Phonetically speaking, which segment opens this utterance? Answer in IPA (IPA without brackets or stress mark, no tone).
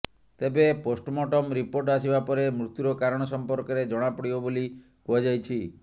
t̪